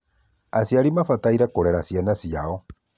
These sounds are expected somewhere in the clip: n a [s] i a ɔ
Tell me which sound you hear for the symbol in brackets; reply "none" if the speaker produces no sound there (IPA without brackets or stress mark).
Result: s